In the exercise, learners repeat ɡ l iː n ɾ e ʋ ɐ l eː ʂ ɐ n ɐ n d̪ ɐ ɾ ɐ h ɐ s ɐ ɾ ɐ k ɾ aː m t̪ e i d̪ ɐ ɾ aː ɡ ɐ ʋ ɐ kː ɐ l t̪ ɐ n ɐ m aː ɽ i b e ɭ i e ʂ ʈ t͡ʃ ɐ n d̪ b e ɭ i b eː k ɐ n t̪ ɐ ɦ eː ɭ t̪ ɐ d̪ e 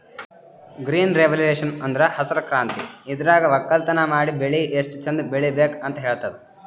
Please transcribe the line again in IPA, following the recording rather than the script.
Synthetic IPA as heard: ɡ ɾ iː n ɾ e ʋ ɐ l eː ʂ ɐ n ɐ n d̪ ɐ ɾ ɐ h ɐ s ɐ ɾ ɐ k ɾ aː n t̪ i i d̪ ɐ ɾ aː ɡ ɐ ʋ ɐ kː ɐ l t̪ ɐ n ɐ m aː ɽ i b e ɭ i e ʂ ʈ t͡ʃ ɐ n d̪ b e ɭ i b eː k ɐ n t̪ ɐ ɦ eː ɭ t̪ ɐ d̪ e